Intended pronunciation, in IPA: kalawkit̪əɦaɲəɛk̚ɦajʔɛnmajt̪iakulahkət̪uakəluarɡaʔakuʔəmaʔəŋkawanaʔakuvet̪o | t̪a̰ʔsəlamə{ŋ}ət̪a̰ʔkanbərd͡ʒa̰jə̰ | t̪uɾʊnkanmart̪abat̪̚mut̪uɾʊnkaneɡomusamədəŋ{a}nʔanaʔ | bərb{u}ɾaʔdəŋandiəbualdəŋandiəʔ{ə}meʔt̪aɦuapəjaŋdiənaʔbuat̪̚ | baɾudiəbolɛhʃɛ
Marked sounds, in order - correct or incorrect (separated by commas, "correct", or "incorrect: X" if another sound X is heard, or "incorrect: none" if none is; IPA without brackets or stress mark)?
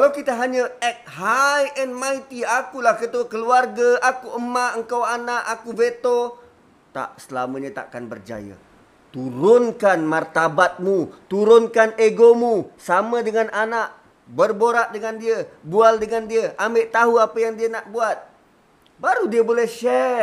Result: incorrect: ɲ, correct, incorrect: o, incorrect: a